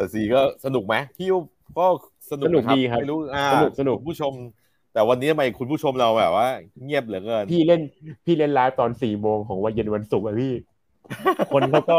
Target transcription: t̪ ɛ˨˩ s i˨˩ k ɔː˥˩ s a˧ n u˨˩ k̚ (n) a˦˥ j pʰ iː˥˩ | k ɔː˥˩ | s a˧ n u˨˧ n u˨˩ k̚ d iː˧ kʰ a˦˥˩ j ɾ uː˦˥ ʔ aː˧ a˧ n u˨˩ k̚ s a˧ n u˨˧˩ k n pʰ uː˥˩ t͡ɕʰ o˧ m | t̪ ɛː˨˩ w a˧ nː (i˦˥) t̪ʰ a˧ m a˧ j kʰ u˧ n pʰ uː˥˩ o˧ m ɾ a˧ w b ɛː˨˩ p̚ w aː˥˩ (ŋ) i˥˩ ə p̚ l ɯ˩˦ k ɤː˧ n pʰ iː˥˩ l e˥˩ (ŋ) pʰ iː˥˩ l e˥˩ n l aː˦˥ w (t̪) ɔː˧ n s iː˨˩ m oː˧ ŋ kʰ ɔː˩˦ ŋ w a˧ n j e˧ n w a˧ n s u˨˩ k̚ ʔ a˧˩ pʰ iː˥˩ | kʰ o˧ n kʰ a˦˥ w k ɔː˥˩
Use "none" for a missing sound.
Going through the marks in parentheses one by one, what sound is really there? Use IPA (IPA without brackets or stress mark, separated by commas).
m, i˦˥, ŋ, n, t̪